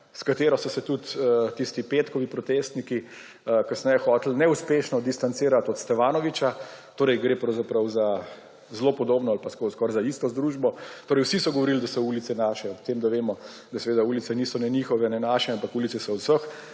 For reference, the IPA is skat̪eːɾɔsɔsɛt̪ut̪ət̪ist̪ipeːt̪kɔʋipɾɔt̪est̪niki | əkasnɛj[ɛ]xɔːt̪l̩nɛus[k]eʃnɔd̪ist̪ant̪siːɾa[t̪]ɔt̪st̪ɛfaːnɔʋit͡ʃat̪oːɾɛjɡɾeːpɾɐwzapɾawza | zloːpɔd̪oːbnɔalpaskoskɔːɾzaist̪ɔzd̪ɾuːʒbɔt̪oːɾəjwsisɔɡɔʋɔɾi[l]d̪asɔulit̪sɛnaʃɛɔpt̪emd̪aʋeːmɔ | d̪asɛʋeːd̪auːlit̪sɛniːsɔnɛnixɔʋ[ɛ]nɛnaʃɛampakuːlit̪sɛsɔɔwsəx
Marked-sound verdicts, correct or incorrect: correct, incorrect, correct, correct, correct

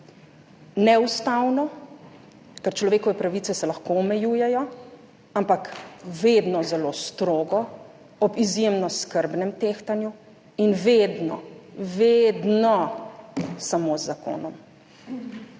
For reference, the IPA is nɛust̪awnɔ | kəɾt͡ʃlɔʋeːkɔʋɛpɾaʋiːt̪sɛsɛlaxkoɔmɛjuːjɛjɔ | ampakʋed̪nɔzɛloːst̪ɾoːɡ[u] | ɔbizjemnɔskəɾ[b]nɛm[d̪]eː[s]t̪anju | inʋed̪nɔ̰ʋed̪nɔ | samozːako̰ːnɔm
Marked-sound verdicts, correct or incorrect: incorrect, correct, incorrect, incorrect

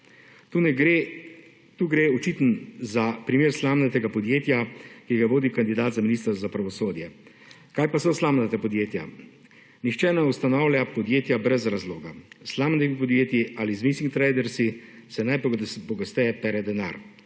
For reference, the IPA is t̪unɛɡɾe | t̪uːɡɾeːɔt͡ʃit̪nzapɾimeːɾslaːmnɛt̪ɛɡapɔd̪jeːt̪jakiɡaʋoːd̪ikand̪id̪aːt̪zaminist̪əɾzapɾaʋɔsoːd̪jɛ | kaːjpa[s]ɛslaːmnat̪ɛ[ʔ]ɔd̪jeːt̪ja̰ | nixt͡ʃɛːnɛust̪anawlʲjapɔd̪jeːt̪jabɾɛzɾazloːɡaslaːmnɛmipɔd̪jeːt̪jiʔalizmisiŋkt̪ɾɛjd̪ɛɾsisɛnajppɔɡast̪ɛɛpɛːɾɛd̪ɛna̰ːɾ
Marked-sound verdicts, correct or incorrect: correct, incorrect

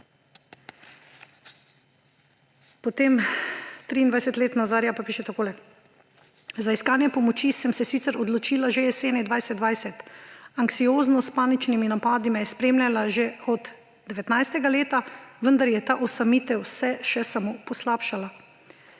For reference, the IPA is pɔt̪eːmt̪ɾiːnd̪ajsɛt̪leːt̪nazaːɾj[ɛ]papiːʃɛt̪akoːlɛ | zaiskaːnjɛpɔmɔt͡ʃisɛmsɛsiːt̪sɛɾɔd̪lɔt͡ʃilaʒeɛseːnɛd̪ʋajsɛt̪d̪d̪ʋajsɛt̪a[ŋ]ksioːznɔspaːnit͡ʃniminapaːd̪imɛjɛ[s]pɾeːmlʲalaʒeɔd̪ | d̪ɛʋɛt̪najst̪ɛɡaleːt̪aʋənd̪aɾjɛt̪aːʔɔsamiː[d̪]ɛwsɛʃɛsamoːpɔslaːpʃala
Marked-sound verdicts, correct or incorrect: incorrect, correct, correct, incorrect

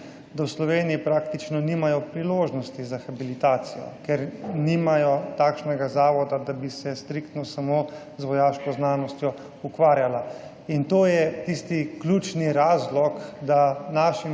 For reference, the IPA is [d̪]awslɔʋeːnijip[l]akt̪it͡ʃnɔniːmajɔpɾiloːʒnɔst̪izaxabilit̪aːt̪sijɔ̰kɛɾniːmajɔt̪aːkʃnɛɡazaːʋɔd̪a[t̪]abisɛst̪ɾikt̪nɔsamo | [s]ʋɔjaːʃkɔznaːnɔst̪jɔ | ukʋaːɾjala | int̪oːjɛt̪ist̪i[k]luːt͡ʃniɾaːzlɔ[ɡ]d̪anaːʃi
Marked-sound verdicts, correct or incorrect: correct, incorrect, incorrect, incorrect, correct, incorrect

